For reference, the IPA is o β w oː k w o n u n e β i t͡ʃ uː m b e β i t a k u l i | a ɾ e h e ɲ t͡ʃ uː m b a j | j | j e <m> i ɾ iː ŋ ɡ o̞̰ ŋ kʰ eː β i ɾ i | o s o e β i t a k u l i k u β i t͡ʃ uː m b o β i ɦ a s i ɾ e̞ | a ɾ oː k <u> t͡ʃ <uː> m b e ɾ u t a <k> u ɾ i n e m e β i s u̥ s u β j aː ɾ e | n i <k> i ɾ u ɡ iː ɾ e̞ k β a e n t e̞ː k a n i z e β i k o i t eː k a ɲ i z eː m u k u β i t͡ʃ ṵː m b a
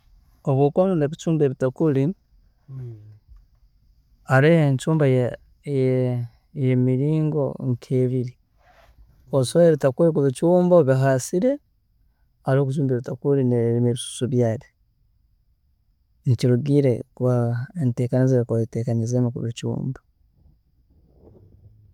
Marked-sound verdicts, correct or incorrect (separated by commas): correct, correct, correct, correct, incorrect